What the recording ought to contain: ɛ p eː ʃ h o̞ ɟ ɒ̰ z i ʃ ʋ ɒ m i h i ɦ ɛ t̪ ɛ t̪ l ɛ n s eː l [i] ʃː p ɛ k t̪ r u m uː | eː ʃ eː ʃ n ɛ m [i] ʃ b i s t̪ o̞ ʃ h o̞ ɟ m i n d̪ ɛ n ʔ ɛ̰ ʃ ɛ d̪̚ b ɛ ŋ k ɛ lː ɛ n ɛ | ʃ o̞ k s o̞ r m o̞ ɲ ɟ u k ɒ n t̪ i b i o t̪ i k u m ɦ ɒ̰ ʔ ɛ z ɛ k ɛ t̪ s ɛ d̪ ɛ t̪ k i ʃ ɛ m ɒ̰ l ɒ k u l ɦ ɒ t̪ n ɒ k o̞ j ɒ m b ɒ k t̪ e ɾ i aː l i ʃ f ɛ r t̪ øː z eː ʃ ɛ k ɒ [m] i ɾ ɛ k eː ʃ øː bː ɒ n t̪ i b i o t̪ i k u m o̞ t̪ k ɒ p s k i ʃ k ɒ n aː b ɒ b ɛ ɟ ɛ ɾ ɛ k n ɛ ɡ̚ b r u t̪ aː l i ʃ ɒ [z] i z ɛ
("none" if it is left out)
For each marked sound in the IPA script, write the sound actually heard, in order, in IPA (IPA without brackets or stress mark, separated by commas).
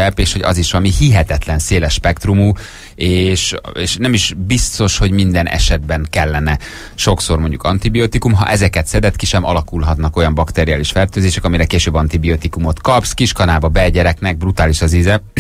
ɛ, i, m, z